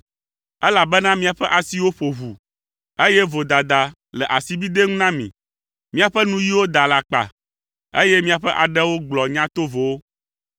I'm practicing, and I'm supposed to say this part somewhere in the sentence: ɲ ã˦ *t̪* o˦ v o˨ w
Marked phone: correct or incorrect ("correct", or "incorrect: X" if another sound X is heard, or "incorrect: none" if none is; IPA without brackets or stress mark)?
correct